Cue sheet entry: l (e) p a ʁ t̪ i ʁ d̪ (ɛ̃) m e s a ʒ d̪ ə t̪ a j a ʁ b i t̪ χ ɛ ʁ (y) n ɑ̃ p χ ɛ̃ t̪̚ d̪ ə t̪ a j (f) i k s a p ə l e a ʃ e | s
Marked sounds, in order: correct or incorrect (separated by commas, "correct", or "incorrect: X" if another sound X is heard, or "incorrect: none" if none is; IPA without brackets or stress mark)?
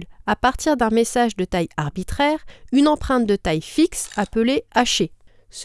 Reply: incorrect: a, correct, correct, correct